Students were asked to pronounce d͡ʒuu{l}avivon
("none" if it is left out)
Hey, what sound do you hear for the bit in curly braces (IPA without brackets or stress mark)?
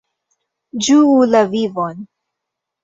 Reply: l